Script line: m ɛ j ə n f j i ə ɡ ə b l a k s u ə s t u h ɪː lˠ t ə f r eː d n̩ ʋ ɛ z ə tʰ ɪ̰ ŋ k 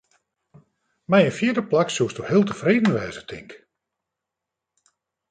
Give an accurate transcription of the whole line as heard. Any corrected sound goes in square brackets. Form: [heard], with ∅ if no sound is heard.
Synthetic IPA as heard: m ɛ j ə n f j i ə [d] ə [p] l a k s u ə s t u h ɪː lˠ t ə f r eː d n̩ ʋ [ɛː] z ə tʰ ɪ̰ ŋ k